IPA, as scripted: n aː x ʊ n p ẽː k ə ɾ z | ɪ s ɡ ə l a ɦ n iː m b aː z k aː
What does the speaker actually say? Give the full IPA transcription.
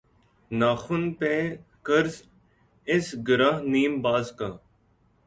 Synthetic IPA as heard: n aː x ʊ n p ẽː k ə ɾ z | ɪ s ɡ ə ɾ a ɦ n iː m b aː z k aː